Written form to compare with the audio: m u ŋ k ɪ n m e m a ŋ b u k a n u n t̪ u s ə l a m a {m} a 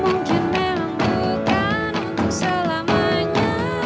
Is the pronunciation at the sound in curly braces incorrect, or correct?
incorrect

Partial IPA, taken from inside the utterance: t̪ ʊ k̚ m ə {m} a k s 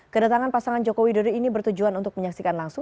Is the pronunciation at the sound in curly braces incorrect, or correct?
incorrect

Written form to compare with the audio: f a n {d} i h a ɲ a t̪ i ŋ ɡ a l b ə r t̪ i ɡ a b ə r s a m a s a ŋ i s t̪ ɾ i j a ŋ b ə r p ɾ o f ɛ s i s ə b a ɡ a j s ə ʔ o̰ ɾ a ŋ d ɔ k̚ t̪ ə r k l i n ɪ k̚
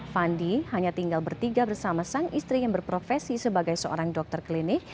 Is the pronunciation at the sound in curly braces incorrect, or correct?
correct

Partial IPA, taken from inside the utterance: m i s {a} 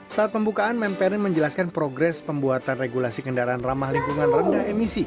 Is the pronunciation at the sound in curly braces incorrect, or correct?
incorrect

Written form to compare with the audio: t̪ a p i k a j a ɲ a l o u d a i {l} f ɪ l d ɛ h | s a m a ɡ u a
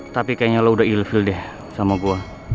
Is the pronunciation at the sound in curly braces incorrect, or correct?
correct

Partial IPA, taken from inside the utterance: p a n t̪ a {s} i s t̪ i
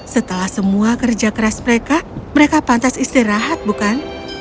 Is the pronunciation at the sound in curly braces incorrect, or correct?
correct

